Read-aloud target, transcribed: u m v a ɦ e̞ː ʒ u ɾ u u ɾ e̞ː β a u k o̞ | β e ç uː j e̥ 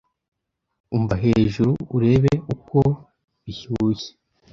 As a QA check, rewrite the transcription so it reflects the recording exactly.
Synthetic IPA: u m v a ɦ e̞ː ʒ u ɾ u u ɾ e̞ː β e u k o̞ | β i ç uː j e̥